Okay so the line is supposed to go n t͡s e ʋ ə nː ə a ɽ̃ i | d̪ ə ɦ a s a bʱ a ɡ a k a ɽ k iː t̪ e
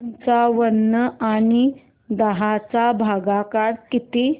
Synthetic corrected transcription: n t͡s a ʋ ə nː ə a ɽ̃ i | d̪ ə ɦ a t͡s a bʱ a ɡ a k a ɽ k i t̪ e